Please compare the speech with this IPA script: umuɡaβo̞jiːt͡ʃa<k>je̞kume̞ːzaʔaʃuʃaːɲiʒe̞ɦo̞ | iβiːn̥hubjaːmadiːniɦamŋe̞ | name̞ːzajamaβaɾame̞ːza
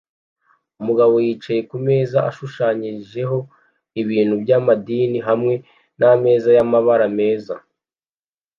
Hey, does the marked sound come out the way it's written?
no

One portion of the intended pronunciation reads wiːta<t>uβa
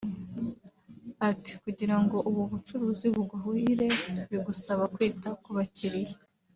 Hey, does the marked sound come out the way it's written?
no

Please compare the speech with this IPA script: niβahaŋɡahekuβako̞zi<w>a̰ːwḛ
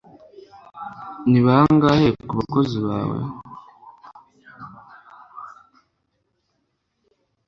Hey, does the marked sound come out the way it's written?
no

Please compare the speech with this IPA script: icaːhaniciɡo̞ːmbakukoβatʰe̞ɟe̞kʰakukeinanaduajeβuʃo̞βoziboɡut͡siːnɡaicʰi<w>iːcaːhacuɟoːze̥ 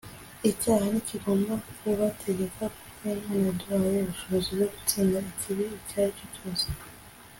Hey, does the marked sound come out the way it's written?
no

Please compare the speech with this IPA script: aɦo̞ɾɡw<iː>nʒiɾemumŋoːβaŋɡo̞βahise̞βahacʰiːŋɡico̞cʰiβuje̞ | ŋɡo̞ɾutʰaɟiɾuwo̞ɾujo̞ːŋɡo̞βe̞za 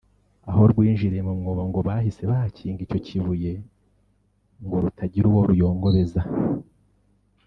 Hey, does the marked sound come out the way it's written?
yes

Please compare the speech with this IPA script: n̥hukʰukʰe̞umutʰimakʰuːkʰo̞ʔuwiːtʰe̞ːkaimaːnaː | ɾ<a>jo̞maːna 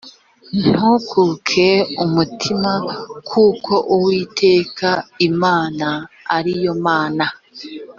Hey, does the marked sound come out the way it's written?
no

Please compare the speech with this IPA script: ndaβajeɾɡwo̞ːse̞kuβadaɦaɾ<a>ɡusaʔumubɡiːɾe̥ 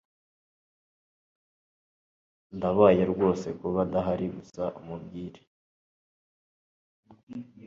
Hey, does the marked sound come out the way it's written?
no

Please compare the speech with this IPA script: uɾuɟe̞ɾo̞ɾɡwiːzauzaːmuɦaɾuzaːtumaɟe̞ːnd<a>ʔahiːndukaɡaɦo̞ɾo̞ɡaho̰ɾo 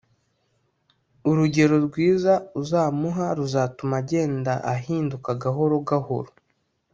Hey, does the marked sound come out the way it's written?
yes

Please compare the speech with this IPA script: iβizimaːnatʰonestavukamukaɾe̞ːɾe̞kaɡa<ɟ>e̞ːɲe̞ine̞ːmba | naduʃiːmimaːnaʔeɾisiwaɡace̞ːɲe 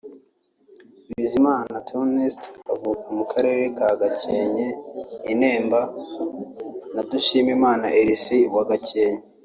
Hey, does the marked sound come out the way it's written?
no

